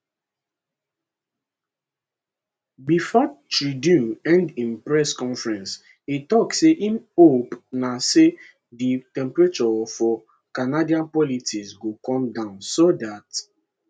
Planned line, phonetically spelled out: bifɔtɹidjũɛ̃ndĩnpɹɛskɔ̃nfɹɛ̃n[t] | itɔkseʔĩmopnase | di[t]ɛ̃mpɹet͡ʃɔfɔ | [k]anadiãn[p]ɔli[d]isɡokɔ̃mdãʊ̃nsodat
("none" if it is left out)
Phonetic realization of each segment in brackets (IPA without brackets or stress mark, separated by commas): s, t, k, p, t